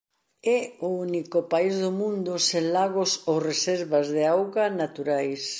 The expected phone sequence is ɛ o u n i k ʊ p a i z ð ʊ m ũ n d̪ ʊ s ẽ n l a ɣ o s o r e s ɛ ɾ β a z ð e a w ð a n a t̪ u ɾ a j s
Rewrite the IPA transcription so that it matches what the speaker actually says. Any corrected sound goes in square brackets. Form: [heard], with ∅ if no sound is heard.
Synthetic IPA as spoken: ɛ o u n i k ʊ p a i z ð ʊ m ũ n d̪ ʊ s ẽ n l a ɣ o s o r e s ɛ ɾ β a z ð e a w [ɣ] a n a t̪ u ɾ a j s